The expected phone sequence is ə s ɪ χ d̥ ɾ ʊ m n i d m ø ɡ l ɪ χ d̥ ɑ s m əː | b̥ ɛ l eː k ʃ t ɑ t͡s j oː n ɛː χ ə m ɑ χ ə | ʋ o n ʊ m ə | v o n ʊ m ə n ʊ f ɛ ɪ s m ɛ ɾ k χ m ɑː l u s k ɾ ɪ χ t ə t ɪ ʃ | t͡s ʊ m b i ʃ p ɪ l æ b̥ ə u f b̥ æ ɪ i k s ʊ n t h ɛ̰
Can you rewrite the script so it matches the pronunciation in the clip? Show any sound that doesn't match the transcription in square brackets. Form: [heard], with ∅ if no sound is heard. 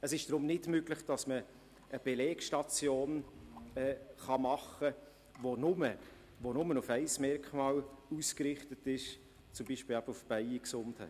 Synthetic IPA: ə s ɪ [ʃ] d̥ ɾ ʊ m n [ɪ] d m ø ɡ l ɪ χ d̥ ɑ s m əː | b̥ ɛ l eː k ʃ t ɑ t͡s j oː n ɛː χ [ɑ] m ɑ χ ə | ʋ o n ʊ m ə | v o n ʊ m ə n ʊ f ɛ ɪ s m ɛ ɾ k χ m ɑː l u s k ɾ ɪ χ t ə t ɪ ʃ | t͡s ʊ m b i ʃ p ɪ l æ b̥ ə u f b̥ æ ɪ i k s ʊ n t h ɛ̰

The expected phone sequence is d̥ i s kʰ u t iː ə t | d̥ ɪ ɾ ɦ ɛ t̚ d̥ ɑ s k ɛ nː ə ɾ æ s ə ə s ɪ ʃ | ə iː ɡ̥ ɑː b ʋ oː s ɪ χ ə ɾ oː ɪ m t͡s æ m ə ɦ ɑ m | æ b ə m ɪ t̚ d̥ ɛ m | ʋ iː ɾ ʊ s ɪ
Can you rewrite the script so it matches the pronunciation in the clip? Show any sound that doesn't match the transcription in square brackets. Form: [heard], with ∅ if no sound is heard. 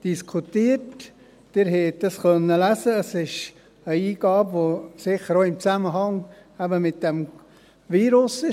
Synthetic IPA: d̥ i s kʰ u t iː ə t | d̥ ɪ ɾ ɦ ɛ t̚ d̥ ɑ s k [œ] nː ə [l] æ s ə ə s ɪ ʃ | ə iː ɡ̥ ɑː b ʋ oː s ɪ χ ə ɾ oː ɪ m t͡s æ m ə ɦ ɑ [ŋ] | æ b ə m ɪ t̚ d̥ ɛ m | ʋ iː ɾ ʊ s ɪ

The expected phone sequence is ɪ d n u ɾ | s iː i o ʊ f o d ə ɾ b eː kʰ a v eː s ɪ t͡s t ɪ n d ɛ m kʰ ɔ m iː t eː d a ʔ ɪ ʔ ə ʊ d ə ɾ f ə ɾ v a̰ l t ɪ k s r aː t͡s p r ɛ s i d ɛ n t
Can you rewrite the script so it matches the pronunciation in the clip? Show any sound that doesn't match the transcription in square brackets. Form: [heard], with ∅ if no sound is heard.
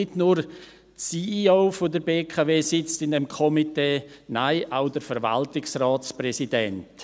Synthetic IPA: ɪ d n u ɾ | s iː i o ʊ f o d ə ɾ b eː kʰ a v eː s ɪ t͡s t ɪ n d ɛ m kʰ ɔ m [i] t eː [n] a [∅] ɪ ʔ [a] ʊ d ə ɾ f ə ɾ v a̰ l t ɪ k s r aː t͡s p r ɛ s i d ɛ n t

